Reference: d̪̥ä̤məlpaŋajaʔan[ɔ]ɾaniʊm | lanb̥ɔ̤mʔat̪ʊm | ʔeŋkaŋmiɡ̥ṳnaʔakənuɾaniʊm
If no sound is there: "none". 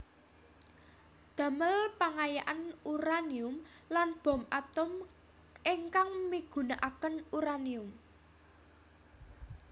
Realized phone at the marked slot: u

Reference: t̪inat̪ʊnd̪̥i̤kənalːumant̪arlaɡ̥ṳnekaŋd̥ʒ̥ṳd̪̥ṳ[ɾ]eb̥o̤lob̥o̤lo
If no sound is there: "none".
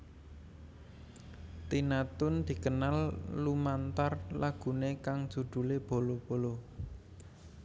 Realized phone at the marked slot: l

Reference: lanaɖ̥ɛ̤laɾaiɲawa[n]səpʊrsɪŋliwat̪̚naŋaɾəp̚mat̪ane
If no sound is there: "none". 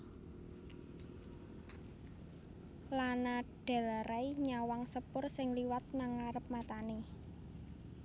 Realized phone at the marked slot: ŋ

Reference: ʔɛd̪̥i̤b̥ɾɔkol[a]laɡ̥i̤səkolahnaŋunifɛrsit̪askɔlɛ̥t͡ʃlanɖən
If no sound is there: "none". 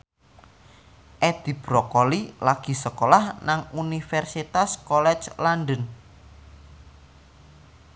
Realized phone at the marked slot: i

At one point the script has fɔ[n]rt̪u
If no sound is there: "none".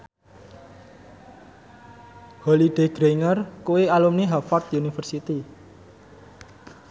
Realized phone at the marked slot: none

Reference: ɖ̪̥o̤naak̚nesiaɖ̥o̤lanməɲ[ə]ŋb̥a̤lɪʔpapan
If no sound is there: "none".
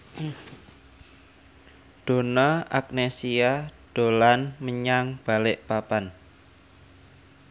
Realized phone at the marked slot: a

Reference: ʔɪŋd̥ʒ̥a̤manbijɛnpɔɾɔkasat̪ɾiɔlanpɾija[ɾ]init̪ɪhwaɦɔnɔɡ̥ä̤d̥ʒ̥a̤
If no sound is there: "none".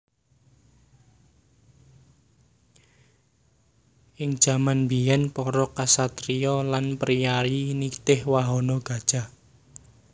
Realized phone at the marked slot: ɾ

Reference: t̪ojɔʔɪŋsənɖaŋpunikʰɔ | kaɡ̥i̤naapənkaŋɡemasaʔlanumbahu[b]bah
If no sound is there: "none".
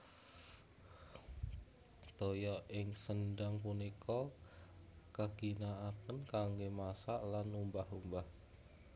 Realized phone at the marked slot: m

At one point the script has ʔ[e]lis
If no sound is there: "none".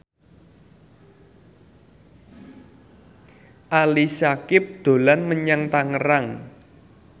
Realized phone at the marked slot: a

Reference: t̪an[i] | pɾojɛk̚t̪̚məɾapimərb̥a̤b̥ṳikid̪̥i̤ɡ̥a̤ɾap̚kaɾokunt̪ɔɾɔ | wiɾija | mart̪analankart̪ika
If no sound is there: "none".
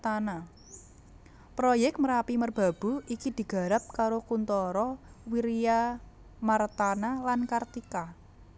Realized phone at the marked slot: a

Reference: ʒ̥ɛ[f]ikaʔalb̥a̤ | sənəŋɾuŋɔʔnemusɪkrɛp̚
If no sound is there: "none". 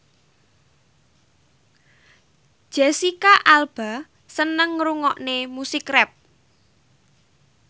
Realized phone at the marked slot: s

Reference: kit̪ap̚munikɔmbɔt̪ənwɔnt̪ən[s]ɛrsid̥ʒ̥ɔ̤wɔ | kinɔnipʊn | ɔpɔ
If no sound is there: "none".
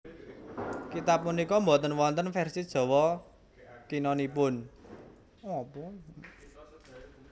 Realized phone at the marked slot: f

